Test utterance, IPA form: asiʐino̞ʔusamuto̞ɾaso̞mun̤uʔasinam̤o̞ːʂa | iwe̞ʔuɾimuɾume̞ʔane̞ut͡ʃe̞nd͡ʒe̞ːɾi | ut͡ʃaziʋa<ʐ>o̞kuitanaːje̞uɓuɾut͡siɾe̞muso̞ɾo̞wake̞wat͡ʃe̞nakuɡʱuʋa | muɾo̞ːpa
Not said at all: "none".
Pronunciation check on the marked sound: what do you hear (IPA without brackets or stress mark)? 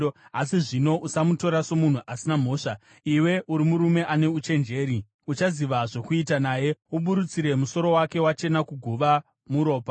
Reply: ʐ